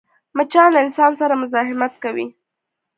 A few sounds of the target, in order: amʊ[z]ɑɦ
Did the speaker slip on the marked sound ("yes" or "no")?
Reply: no